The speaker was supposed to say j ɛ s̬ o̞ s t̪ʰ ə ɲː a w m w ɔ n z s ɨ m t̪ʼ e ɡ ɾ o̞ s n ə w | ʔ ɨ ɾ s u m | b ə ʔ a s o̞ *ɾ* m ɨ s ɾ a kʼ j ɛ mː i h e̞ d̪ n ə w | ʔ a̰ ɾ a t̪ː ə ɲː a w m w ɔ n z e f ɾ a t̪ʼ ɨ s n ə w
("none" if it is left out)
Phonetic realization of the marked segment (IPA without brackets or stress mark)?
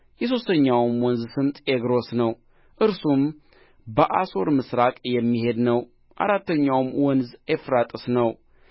ɾ